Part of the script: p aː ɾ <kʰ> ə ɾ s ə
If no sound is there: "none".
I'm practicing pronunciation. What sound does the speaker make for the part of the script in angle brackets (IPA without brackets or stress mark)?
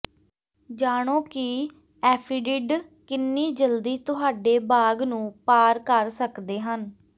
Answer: k